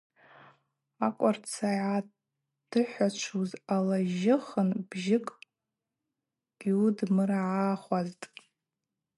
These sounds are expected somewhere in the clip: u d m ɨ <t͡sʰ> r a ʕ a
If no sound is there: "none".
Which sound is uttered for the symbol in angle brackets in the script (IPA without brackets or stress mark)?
none